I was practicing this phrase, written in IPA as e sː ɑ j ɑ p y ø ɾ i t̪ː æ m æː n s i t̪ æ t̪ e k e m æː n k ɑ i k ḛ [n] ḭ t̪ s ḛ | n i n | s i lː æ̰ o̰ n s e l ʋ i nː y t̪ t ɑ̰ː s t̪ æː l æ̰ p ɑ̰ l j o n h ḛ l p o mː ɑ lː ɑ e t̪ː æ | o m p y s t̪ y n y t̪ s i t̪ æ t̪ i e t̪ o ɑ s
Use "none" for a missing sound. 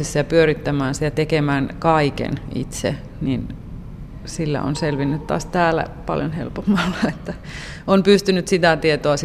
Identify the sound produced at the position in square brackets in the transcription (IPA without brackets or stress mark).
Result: n